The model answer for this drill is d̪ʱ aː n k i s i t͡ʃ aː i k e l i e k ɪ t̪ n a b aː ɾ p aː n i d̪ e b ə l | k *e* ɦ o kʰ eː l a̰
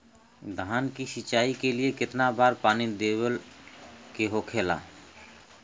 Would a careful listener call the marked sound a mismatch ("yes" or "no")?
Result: no